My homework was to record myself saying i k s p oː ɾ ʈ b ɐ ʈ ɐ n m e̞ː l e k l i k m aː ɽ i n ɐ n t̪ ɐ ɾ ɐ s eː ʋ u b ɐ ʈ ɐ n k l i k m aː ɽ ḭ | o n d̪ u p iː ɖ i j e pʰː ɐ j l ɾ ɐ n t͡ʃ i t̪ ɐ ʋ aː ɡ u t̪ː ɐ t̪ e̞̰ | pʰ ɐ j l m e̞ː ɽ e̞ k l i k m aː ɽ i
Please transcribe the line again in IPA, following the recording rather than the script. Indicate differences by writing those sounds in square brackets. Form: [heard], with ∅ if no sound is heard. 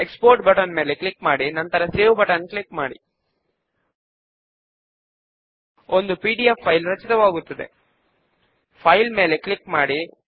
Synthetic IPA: [e] k s p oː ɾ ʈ b ɐ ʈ ɐ n m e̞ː l e k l i k m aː ɽ i n ɐ n t̪ ɐ ɾ ɐ s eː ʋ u b ɐ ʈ ɐ n k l i k m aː ɽ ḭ | o n d̪ u p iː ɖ i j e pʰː ɐ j l ɾ ɐ [∅] t͡ʃ i t̪ ɐ ʋ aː ɡ u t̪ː ɐ [d̪] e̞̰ | pʰ ɐ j l m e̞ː [l] e̞ k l i k m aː ɽ i